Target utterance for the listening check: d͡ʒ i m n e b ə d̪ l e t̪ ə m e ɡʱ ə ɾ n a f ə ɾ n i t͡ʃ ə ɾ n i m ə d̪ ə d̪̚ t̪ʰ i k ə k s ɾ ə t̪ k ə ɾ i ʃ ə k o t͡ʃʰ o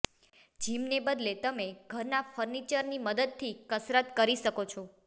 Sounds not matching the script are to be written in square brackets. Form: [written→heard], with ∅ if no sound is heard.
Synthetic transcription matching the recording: d͡ʒ i m n e b ə d̪ l e t̪ ə m e ɡʱ ə ɾ n a f ə ɾ n i t͡ʃ ə ɾ n i m ə d̪ ə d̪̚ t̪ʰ i k ə [k→∅] s ɾ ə t̪ k ə ɾ i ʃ ə k o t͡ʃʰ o